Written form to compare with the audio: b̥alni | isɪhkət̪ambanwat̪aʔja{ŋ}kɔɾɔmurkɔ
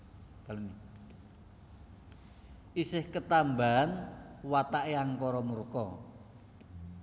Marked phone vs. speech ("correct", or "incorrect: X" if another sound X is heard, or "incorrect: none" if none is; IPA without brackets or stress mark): correct